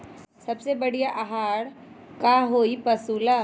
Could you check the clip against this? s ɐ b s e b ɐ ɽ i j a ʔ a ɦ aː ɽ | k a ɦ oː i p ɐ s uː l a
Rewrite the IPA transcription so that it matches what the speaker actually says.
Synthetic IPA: s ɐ b s e b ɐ ɽ i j a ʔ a ɦ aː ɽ | k a ɦ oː i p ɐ s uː l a